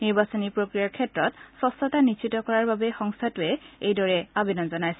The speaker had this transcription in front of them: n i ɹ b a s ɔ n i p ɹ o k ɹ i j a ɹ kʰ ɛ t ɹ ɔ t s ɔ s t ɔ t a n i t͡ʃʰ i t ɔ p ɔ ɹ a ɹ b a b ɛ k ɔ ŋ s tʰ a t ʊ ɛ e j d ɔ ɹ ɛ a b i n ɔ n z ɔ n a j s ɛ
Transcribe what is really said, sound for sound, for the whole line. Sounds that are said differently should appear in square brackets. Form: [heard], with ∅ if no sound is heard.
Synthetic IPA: n i ɹ b a s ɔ n i p ɹ o k ɹ i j a ɹ kʰ ɛ t ɹ ɔ t s ɔ s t ɔ t a n i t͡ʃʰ i t ɔ [k] ɔ ɹ a ɹ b a b ɛ [x] ɔ ŋ s tʰ a t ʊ ɛ e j d ɔ ɹ ɛ a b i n ɔ n z ɔ n a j s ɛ